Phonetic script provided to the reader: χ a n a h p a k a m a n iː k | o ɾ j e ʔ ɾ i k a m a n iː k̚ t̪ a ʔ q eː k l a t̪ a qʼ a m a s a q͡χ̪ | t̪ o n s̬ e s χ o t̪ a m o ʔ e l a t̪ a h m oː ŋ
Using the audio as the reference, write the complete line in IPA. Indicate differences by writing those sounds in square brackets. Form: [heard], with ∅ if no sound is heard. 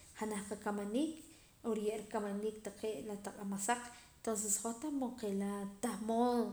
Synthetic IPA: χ a n a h [q] a k a m a n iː k | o ɾ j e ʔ ɾ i k a m a n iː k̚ t̪ a [∅] q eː [ʔ] l a t̪ a qʼ a m a s a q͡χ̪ | t̪ o n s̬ e s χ o t̪ a m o [q] e l a t̪ a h m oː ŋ